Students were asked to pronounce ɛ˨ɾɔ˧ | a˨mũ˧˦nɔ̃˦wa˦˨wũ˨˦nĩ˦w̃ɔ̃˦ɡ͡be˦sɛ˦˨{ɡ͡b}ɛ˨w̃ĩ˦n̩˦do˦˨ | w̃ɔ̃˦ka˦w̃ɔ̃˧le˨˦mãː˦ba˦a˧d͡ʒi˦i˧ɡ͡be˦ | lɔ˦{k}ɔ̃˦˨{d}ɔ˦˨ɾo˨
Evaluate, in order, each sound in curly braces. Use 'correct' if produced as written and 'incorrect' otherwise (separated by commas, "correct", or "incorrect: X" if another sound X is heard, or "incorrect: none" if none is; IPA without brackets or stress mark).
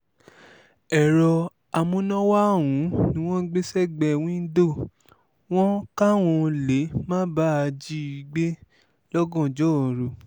correct, incorrect: ɡ, incorrect: d͡ʒ